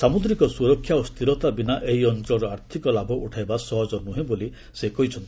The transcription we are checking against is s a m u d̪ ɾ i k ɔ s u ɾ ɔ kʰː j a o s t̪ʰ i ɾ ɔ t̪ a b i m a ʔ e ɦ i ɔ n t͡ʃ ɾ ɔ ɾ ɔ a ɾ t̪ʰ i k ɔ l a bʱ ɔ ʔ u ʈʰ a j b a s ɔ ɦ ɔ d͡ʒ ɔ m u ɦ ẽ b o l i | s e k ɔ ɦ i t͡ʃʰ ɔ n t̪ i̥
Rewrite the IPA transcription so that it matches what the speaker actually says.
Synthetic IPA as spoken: s a m u d̪ ɾ i k ɔ s u ɾ ɔ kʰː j a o s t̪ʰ i ɾ ɔ t̪ a b i n a ʔ e ɦ i ɔ n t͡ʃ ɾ ɔ ɾ ɔ a ɾ t̪ʰ i k ɔ l a bʱ ɔ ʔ u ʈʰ a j b a s ɔ ɦ ɔ d͡ʒ ɔ n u ɦ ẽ b o l i | s e k ɔ ɦ i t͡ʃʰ ɔ n t̪ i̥